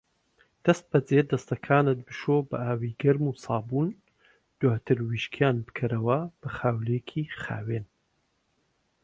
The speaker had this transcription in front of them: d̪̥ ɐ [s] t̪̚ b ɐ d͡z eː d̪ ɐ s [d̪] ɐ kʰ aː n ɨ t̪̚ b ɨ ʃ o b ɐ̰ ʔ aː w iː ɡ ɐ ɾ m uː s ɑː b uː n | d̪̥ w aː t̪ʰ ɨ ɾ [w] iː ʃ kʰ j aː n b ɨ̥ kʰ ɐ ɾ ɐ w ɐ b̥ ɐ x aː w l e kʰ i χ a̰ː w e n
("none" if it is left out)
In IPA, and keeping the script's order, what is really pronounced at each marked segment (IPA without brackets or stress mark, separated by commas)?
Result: s, t̪, w